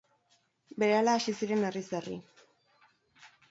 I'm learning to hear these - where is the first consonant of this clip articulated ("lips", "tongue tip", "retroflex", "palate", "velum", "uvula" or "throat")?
lips